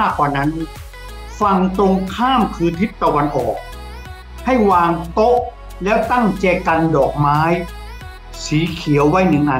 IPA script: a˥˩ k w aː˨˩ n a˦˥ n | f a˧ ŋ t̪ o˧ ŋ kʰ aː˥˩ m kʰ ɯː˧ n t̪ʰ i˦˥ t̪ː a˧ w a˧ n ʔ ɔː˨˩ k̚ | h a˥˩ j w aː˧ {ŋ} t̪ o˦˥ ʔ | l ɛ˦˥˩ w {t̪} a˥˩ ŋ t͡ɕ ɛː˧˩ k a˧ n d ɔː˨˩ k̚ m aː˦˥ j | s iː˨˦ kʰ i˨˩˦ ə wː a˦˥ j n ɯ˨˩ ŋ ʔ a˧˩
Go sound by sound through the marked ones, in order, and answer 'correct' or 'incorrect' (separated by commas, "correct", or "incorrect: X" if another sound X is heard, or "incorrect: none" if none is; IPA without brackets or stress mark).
correct, correct